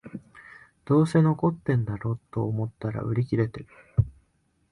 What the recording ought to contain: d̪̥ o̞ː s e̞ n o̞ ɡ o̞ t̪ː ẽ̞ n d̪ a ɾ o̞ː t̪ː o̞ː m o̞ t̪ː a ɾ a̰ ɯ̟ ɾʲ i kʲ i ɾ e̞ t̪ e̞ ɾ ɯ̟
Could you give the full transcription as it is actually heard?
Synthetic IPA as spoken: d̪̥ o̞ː s e̞ n o̞ k o̞ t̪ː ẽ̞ n d̪ a ɾ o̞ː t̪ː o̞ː m o̞ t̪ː a ɾ a̰ ɯ̟ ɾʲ i kʲ i ɾ e̞ t̪ e̞ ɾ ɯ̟